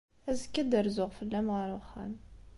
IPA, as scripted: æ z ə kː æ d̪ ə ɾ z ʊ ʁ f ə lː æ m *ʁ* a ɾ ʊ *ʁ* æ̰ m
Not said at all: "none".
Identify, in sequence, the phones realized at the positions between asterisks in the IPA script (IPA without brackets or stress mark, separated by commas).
ʁ, χ